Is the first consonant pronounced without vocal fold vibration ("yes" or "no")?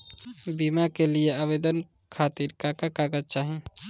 no